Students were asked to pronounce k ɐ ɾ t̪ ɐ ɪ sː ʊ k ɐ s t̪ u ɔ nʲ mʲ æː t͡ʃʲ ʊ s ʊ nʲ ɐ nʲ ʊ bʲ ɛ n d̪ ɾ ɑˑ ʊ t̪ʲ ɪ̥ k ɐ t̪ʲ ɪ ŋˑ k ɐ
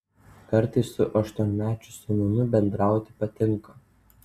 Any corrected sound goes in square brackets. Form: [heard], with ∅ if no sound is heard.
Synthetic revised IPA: k ɐ ɾ t̪ ɐ ɪ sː ʊ [ʔ] ɐ [ʃ] t̪ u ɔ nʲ mʲ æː t͡ʃʲ ʊ s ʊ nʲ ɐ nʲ ʊ bʲ ɛ n d̪ ɾ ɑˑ ʊ t̪ʲ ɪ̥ [p] ɐ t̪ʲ ɪ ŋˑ k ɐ